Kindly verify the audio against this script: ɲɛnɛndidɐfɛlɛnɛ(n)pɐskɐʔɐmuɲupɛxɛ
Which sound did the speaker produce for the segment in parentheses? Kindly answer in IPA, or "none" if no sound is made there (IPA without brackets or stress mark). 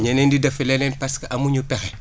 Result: n